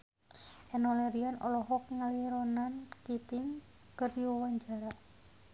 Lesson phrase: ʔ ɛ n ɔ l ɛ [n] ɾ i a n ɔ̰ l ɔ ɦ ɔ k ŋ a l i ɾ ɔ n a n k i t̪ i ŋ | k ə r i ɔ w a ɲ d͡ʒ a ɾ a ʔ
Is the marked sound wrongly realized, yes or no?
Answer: yes